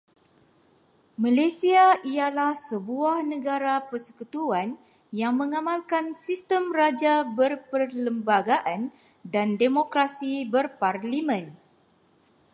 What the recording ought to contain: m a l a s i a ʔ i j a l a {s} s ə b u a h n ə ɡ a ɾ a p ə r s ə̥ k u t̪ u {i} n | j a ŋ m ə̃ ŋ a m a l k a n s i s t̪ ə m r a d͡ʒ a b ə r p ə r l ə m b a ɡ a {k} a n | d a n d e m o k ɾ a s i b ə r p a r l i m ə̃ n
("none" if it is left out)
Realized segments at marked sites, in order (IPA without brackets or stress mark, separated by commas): h, a, ʔ